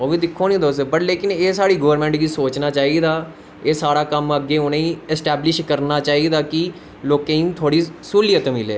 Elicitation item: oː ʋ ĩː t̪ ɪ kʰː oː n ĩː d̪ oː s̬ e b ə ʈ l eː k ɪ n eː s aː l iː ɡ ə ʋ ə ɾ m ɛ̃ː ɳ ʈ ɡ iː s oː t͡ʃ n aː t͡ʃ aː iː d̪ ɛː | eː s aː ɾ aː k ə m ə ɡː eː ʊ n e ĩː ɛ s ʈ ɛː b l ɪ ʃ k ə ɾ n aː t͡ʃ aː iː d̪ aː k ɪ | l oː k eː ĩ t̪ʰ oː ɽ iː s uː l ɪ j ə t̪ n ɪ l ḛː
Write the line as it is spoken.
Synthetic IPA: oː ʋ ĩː d̪ ɪ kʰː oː n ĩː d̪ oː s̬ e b ə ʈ l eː k ɪ n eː s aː ɽ iː ɡ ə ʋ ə ɾ m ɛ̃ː ɳ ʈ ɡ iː s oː t͡ʃ n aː t͡ʃ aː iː d̪ aː | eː s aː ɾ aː k ə m ə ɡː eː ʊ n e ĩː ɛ s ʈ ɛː b l ɪ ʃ k ə ɾ n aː t͡ʃ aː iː d̪ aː k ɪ | l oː k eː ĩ t̪ʰ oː ɽ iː s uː l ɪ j ə t̪ m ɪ l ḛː